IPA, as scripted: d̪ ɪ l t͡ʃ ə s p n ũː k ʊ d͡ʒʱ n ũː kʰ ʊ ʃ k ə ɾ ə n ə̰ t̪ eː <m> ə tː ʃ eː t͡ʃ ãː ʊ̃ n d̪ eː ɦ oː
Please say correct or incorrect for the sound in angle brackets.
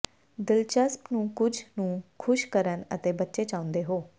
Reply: incorrect